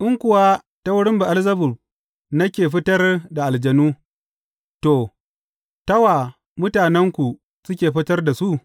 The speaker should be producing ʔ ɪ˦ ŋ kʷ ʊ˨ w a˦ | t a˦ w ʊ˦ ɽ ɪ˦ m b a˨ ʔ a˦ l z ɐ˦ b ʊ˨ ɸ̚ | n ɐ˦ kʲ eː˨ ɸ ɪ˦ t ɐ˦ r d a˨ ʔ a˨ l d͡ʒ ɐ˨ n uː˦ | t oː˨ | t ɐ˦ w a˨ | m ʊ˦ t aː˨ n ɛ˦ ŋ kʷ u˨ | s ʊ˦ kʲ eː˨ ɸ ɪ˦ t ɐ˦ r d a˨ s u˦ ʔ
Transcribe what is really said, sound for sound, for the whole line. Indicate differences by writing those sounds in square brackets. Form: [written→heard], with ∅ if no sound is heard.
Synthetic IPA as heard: ʔ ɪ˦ ŋ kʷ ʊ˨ w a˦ | t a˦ w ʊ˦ ɽ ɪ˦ m b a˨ ʔ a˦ l z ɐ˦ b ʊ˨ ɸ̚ | n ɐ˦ kʲ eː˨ ɸ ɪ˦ t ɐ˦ r d a˨ ʔ a˨ l d͡ʒ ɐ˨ n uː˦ | t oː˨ | t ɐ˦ w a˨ | m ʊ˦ t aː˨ n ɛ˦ ŋ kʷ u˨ | s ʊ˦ kʲ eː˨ ɸ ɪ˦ t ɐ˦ r d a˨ s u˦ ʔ